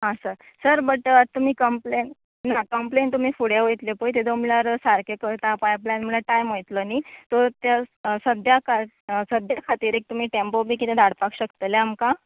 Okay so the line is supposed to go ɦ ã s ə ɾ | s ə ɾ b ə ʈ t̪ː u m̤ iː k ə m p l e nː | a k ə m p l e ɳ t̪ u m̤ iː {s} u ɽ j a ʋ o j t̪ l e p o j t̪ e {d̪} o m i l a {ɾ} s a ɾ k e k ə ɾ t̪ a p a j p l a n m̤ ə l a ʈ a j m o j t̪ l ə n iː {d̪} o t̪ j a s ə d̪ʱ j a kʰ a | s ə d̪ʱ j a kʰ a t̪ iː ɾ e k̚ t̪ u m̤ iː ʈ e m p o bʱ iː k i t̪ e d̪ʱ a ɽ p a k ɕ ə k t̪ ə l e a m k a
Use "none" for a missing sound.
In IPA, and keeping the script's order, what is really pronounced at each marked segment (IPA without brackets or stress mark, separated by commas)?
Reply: f, d̪, ɾ, t̪